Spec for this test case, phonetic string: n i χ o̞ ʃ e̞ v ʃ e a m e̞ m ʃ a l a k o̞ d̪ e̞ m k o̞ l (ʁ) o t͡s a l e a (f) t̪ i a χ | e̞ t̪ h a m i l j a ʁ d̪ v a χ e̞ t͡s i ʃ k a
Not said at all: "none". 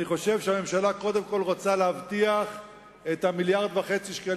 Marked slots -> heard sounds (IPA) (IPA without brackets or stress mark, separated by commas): ʁ, v